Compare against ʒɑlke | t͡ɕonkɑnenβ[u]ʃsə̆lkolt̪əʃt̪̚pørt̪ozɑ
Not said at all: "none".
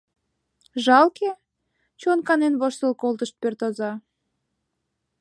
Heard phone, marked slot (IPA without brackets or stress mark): o